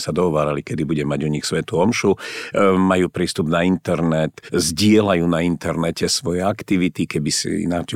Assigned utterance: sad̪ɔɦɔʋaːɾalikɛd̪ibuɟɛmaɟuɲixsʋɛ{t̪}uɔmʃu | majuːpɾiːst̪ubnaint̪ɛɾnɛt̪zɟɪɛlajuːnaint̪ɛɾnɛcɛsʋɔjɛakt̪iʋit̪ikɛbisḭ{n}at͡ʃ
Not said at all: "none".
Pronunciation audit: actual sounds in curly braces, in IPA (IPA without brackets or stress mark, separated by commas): t̪, n